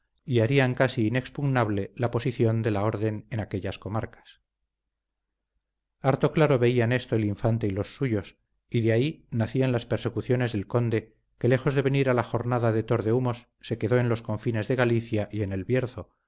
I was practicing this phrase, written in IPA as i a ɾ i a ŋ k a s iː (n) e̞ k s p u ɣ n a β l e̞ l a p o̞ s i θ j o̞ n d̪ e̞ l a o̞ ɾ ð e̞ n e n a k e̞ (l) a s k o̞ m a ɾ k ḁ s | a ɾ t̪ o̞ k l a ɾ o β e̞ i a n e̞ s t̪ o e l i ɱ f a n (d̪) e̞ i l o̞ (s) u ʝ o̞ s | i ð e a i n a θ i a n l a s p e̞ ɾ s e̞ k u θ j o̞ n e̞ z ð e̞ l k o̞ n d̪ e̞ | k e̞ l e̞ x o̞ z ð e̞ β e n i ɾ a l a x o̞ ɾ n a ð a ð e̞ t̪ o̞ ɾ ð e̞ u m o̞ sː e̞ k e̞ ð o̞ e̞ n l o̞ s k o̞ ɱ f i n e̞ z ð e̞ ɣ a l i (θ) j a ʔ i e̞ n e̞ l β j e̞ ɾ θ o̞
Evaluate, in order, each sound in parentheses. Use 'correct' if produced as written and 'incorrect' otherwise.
correct, incorrect: ʎ, incorrect: t̪, incorrect: sː, correct

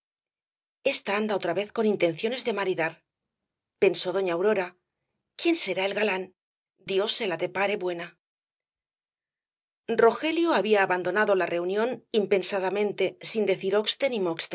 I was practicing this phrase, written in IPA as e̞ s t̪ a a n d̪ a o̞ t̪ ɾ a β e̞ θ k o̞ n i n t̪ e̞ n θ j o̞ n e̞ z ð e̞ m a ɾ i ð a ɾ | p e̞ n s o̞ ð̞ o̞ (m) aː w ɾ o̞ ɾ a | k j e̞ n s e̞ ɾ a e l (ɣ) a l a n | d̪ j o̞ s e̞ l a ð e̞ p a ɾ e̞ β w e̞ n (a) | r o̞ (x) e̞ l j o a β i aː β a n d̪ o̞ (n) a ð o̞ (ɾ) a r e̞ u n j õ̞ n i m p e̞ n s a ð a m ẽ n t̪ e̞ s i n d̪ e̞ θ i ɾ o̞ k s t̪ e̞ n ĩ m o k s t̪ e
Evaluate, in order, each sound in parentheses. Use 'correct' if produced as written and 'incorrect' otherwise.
incorrect: ɲ, correct, correct, correct, correct, incorrect: l

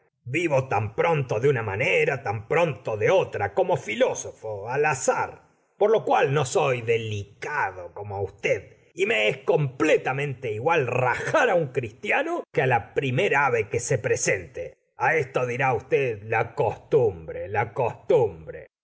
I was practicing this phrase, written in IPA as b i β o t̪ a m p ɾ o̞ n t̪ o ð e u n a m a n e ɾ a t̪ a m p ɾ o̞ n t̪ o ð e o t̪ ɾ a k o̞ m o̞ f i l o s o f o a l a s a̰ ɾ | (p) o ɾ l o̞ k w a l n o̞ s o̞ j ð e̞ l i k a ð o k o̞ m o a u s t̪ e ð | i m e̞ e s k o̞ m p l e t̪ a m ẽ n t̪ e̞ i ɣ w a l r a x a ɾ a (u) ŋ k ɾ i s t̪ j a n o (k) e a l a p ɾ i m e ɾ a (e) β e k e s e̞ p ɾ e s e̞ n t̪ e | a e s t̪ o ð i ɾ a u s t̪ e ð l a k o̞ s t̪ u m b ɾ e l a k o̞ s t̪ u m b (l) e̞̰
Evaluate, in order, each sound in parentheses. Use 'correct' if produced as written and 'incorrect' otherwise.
correct, correct, correct, incorrect: a, incorrect: ɾ

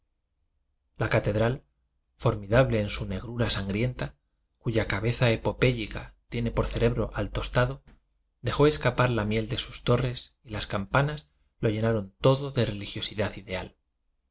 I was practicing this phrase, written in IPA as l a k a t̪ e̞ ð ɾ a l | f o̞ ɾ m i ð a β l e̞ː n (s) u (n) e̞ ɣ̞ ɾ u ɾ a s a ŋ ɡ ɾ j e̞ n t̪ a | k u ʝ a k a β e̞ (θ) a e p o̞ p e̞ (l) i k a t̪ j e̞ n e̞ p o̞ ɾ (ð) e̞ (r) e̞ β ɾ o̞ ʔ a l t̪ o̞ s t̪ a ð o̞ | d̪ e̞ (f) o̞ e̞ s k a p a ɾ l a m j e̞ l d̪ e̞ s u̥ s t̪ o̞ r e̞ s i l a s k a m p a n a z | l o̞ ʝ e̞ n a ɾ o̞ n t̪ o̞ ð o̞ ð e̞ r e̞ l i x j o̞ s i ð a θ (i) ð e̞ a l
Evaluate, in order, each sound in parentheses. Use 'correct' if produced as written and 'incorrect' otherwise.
correct, correct, correct, incorrect: ʎ, incorrect: θ, incorrect: ɾ, incorrect: x, correct

